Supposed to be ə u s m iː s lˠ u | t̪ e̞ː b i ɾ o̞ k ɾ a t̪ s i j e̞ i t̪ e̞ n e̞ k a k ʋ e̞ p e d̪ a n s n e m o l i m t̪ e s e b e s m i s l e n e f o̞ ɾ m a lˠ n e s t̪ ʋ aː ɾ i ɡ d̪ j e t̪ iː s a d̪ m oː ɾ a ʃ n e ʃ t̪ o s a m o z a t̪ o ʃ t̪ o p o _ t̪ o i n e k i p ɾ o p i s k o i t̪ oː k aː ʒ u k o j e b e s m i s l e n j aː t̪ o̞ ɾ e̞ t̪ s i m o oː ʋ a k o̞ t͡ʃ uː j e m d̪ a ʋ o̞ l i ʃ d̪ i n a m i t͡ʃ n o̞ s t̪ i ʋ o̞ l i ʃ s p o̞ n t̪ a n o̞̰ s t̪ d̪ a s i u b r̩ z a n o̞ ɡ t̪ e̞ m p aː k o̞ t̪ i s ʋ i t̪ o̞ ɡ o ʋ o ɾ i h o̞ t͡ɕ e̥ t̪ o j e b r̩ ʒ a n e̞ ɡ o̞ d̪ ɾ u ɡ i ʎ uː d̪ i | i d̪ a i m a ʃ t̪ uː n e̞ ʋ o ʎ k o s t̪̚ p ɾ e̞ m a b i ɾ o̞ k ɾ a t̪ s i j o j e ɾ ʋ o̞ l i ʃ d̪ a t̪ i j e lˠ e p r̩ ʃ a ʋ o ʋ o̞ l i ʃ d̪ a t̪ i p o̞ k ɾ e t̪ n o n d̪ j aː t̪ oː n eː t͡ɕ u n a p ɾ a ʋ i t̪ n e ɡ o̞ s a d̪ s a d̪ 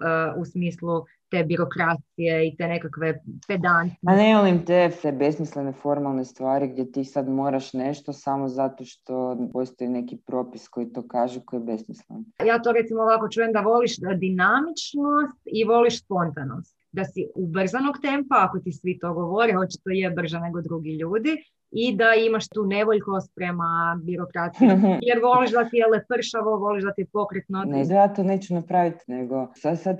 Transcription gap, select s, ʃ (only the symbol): s